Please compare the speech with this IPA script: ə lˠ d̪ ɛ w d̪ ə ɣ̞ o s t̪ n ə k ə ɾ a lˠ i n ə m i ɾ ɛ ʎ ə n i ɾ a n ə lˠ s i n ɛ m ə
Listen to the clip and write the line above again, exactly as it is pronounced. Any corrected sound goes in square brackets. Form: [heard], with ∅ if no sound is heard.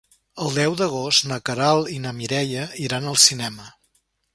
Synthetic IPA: ə lˠ d̪ ɛ w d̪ ə ɣ̞ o s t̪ n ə k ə ɾ a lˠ i n ə m i ɾ ɛ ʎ ə [∅] i ɾ a n ə lˠ s i n ɛ m ə